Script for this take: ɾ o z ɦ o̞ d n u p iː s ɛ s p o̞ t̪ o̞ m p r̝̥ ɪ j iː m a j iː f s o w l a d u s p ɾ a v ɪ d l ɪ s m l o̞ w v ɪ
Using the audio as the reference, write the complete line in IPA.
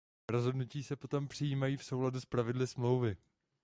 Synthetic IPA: ɾ o z ɦ o̞ d n u c iː s ɛ p o̞ t̪ o̞ m p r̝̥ ɪ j iː m a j iː f s o w l a d u s p ɾ a v ɪ d l ɪ s m l o̞ w v ɪ